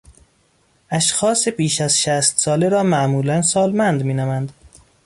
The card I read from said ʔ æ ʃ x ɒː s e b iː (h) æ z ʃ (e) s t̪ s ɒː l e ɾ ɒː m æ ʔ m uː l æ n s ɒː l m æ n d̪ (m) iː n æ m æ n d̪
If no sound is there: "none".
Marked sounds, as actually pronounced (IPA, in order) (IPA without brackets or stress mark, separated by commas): ʃ, æ, m